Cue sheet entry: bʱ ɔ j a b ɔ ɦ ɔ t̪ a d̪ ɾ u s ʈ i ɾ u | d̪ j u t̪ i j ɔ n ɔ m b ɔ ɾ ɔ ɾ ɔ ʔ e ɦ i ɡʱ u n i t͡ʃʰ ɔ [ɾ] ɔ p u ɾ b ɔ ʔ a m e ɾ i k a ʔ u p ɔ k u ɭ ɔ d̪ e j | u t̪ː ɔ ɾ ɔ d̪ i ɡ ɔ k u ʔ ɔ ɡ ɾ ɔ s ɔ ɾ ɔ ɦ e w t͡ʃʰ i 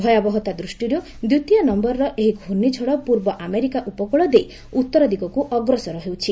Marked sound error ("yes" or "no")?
yes